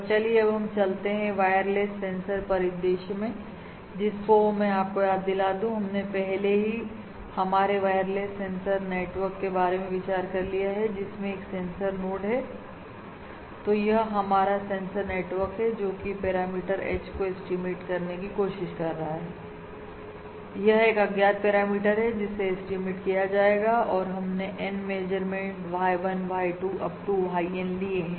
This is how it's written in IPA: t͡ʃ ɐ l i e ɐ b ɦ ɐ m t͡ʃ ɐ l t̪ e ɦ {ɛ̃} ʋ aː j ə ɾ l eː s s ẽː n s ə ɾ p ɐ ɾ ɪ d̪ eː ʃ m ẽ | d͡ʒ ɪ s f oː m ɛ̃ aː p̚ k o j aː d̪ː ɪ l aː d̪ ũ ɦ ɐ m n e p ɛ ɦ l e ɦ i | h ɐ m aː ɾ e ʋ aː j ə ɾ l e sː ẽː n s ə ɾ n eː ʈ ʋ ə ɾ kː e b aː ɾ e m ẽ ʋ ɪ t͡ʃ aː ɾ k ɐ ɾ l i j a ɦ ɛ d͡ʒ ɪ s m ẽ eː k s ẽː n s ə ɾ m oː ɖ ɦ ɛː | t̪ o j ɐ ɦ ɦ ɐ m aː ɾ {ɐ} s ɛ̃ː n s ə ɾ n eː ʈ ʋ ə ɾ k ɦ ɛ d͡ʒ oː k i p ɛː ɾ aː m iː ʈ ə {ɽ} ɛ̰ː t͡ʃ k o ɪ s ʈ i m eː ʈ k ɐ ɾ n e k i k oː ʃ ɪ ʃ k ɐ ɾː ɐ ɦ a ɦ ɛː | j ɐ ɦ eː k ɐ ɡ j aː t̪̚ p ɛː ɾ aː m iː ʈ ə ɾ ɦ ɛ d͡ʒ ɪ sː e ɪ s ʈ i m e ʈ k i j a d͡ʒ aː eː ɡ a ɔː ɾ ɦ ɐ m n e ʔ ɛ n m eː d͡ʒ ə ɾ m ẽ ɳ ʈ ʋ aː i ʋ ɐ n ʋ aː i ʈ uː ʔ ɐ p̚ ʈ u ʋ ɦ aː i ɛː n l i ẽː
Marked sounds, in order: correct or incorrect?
correct, incorrect: a, incorrect: ɾ

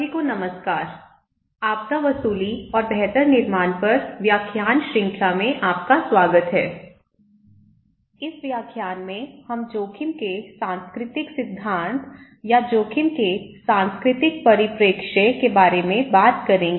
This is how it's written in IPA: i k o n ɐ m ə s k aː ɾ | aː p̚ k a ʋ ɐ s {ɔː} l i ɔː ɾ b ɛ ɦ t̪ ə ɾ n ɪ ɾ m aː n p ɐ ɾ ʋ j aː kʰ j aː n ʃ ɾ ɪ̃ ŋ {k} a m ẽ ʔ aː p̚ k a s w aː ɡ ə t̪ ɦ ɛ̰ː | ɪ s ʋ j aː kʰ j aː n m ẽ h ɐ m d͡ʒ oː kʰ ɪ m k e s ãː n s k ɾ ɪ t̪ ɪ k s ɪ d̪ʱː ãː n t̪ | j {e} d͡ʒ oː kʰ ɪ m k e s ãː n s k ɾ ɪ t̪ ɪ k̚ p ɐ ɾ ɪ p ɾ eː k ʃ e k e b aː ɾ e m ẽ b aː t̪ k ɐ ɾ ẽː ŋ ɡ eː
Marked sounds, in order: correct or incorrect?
incorrect: uː, incorrect: kʰ, incorrect: a

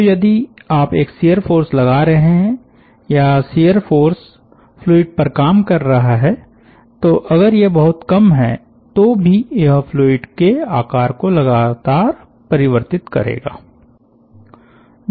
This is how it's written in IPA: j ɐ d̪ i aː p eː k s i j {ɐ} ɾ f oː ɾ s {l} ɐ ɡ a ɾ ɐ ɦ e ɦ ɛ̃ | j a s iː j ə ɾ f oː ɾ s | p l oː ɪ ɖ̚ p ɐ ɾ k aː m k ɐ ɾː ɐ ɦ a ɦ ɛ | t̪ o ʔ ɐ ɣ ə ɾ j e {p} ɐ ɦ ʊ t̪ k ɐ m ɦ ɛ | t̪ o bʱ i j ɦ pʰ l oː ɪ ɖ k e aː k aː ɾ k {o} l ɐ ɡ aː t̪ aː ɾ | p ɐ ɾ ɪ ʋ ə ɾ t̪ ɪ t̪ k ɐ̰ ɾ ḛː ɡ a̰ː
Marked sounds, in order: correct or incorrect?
incorrect: ə, correct, incorrect: b, correct

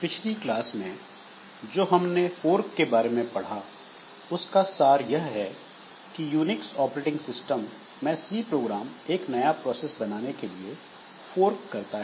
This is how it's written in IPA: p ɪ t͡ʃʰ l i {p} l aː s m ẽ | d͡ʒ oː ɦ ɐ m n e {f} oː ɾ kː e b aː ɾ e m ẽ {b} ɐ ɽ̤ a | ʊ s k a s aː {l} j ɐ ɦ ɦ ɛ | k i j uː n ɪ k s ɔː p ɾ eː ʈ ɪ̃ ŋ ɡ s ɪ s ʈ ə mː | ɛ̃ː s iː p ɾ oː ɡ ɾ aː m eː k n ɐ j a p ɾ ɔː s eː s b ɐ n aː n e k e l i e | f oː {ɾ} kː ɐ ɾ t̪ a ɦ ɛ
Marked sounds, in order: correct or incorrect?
incorrect: k, correct, incorrect: p, incorrect: ɾ, correct

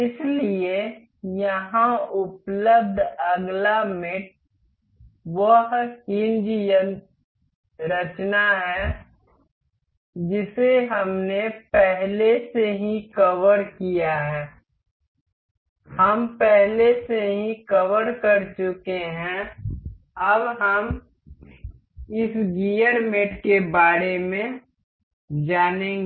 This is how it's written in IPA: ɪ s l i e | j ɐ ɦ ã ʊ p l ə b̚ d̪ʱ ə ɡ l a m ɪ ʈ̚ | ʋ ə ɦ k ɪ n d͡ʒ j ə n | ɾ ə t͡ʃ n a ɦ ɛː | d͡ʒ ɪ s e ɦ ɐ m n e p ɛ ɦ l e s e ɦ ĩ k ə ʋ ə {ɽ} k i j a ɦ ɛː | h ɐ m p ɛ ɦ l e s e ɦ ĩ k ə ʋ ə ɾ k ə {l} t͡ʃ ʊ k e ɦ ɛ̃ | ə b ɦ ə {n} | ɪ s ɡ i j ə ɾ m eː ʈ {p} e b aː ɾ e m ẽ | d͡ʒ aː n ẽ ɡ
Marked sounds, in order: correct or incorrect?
incorrect: ɾ, incorrect: ɾ, incorrect: m, incorrect: k

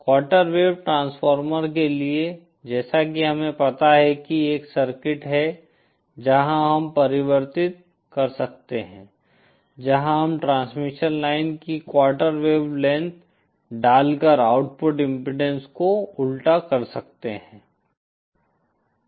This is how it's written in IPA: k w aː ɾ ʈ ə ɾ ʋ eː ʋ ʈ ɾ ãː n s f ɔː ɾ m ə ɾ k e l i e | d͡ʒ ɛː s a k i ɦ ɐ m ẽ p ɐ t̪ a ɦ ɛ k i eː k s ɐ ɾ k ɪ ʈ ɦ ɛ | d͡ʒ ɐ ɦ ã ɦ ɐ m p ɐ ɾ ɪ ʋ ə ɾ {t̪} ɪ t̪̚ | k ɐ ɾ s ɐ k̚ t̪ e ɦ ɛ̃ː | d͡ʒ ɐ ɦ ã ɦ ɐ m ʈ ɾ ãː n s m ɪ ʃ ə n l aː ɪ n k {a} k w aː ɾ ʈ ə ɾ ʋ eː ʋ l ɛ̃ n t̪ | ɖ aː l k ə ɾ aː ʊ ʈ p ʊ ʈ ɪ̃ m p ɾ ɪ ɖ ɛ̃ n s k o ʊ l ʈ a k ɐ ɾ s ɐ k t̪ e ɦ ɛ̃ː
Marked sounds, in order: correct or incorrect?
correct, incorrect: i

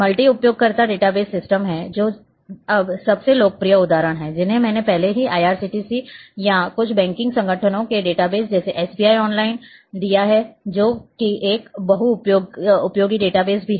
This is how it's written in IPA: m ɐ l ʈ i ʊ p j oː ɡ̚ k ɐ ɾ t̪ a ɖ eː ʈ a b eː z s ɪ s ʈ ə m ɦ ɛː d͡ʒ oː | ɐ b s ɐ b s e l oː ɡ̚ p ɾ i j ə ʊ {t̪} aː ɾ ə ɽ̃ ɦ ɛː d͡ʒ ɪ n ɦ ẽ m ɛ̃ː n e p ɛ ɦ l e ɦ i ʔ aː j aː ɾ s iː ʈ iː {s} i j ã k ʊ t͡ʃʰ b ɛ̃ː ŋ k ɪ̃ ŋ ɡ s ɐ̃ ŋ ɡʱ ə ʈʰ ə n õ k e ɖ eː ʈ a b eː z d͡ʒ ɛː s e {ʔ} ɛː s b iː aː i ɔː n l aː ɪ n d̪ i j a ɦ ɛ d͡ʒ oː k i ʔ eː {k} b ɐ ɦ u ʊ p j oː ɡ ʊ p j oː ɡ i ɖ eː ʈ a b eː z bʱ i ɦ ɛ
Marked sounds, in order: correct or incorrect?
incorrect: d̪, correct, correct, correct

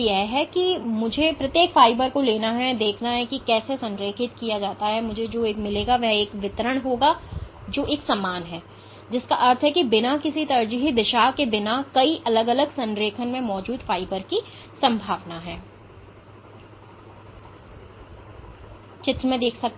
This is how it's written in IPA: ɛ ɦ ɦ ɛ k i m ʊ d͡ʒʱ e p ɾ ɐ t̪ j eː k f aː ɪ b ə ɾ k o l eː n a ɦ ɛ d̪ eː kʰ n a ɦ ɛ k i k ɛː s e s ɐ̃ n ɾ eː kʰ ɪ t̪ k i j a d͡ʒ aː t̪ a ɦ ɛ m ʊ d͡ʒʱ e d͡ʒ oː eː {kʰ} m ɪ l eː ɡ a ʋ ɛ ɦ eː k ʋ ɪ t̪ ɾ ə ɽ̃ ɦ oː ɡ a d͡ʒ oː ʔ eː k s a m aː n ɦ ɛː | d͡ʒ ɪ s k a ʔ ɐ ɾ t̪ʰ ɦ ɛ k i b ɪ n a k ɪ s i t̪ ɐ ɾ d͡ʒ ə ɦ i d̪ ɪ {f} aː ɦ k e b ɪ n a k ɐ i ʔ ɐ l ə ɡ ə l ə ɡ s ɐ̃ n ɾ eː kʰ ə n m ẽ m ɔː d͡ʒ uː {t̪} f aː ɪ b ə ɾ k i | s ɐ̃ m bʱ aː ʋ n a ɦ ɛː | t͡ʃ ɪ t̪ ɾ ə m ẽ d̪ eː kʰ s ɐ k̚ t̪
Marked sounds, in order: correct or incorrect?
incorrect: k, incorrect: ʃ, incorrect: d̪

